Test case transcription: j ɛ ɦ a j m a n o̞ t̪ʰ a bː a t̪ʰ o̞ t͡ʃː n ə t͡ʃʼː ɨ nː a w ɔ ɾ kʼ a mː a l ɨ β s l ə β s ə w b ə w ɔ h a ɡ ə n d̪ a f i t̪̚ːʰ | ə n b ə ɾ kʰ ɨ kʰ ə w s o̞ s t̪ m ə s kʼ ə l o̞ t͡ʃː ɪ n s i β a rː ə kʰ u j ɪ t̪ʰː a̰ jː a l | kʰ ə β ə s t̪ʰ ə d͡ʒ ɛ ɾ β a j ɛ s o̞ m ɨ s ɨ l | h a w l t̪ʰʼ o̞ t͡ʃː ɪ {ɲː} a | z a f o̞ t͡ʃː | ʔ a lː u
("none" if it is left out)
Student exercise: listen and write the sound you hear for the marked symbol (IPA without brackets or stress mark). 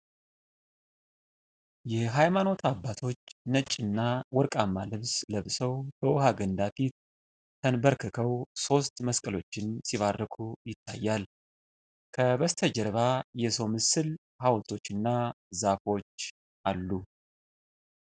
nː